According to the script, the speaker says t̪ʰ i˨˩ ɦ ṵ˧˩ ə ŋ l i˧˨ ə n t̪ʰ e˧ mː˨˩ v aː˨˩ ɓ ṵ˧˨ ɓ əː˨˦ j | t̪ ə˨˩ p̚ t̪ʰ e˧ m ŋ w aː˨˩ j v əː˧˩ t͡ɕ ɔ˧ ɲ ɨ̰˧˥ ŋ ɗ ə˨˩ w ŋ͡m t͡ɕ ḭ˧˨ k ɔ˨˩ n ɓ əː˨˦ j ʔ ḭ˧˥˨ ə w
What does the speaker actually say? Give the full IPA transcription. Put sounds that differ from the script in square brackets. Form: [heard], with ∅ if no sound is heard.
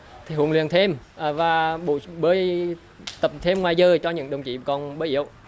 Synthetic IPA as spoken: t̪ʰ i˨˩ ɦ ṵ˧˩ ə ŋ l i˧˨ ə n t̪ʰ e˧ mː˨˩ v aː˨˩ ɓ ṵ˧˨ ɓ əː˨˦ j | t̪ ə˨˩ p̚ t̪ʰ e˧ m ŋ w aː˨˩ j [z] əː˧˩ t͡ɕ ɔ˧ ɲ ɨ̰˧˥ ŋ ɗ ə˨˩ w ŋ͡m t͡ɕ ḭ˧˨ k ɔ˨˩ n ɓ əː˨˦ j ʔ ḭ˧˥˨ ə w